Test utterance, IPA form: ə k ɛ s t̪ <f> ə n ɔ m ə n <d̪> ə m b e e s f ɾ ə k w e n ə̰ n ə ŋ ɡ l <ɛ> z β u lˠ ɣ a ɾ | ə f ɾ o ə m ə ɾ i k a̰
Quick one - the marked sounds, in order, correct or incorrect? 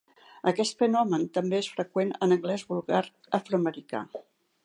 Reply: correct, incorrect, correct

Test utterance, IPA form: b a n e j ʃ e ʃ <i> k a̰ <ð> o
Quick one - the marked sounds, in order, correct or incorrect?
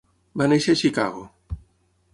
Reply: correct, incorrect

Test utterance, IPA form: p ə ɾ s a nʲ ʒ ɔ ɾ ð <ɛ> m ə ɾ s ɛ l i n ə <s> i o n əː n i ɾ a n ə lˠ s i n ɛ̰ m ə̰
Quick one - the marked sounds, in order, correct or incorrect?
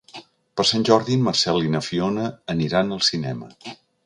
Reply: incorrect, incorrect

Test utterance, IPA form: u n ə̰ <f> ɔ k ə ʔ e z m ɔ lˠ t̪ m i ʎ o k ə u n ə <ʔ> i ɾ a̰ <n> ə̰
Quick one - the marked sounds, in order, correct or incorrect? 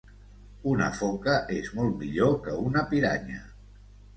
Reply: correct, incorrect, incorrect

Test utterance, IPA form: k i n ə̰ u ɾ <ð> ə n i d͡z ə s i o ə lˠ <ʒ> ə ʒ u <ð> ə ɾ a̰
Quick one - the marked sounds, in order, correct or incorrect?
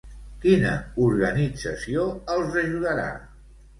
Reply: incorrect, incorrect, correct

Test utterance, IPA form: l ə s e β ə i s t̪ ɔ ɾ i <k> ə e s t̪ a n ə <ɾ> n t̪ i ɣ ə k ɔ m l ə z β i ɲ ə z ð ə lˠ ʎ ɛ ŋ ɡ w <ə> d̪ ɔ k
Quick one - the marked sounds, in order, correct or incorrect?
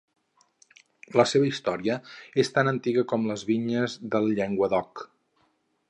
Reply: incorrect, incorrect, correct

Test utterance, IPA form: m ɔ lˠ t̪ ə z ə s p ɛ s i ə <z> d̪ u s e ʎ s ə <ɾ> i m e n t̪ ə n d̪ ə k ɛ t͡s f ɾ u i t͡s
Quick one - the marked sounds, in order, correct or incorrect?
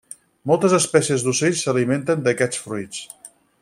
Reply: correct, incorrect

